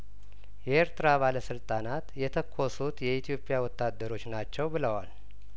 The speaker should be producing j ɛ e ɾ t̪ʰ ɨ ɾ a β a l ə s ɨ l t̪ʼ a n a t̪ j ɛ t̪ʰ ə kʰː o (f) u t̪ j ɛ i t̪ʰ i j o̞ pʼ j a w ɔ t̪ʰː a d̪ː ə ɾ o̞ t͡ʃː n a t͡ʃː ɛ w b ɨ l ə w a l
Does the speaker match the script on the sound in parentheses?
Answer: no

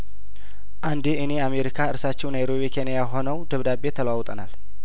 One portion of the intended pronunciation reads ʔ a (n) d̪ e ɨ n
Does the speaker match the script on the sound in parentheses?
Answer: yes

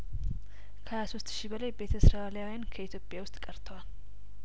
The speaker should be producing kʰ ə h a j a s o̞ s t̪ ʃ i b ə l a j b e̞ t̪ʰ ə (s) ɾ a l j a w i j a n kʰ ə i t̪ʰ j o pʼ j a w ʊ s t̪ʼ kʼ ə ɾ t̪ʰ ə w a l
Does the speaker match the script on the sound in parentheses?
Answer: yes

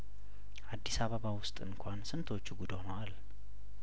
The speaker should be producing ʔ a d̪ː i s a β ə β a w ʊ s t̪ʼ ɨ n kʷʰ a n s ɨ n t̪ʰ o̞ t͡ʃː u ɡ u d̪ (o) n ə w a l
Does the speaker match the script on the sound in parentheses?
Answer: yes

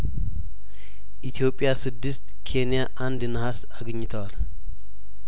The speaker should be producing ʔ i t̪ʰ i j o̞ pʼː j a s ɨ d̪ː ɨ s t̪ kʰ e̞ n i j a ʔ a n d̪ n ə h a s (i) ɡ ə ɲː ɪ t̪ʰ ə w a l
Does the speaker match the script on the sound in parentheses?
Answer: no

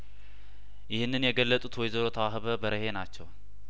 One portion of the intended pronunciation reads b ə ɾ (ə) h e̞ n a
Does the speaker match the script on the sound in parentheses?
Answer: yes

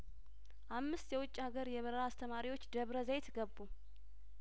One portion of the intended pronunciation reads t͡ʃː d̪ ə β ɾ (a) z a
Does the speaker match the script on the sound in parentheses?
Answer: no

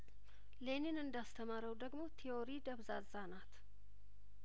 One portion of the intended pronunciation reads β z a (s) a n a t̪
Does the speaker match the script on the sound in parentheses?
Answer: no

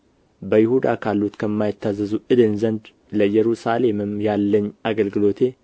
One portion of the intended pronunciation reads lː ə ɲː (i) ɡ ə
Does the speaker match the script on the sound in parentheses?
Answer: no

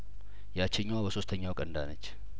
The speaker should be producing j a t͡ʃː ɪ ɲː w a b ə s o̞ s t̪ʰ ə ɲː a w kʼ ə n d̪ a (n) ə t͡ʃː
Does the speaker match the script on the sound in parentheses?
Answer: yes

